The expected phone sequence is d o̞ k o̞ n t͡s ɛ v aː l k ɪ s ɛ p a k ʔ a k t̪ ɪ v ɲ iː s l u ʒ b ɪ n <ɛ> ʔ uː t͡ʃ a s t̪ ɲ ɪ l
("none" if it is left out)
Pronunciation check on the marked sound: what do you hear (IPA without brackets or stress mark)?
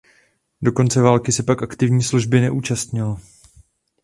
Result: ɛ